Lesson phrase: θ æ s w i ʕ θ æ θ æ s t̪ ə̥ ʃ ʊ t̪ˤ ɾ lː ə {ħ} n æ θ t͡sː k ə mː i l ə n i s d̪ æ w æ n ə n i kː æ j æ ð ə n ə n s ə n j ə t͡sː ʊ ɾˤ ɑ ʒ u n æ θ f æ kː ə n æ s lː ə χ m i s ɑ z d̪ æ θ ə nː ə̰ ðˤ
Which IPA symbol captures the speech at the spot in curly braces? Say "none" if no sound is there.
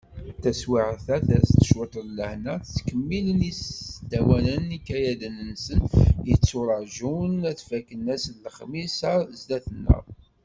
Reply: h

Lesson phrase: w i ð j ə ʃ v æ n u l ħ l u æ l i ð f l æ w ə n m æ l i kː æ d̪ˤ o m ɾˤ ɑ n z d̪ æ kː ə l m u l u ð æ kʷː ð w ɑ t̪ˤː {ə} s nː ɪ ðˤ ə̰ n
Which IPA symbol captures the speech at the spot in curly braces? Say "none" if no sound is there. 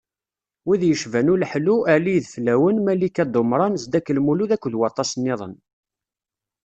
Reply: ɑ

